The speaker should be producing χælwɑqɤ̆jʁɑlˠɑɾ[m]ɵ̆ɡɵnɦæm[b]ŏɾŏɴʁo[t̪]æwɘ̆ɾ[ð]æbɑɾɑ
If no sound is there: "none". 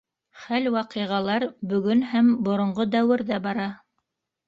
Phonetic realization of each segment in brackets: b, b, d̪, ð

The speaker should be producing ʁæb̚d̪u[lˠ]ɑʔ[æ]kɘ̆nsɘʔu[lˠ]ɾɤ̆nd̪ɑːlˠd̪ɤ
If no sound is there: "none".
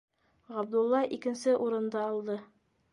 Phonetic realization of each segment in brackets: lˠː, i, none

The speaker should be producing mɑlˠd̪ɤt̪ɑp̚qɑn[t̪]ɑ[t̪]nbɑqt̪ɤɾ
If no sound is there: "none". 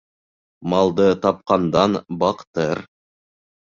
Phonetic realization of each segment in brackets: d̪, none

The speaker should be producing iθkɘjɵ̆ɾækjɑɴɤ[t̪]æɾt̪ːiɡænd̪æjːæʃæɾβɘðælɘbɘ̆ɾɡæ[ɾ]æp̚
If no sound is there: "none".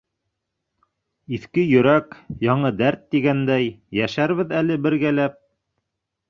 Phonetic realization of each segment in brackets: d̪, l

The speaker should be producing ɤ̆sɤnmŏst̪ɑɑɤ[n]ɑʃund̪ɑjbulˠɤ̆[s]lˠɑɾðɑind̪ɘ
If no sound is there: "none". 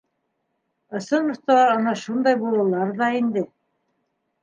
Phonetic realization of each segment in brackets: n, none

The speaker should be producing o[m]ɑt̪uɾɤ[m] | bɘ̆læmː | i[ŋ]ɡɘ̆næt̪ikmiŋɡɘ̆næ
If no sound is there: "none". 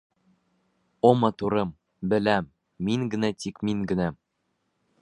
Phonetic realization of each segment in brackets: m, m, ŋ

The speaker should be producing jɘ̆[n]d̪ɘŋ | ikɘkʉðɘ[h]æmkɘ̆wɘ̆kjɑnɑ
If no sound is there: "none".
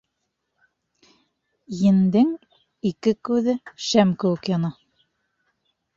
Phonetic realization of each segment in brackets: n, ʃ

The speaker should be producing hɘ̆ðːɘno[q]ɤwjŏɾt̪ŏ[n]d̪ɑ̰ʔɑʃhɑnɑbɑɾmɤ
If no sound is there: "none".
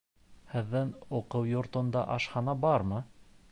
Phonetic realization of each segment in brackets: q, n

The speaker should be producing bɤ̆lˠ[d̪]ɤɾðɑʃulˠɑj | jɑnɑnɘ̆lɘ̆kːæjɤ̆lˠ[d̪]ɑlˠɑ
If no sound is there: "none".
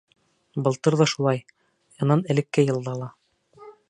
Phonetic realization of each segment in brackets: t̪, d̪

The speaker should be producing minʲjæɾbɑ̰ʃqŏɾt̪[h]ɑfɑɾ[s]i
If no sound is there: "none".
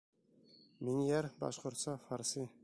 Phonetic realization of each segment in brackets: s, s

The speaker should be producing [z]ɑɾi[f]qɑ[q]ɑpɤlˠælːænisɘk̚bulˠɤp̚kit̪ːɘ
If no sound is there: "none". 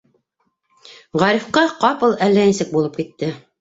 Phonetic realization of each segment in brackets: ʁ, f, q

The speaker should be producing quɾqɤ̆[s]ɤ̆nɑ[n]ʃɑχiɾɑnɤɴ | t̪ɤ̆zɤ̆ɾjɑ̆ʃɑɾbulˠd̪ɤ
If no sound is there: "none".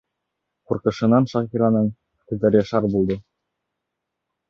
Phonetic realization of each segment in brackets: ʃ, n

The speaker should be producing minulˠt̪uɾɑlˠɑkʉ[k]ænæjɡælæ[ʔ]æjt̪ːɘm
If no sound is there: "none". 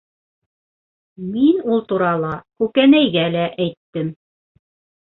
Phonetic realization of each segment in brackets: k, ʔ

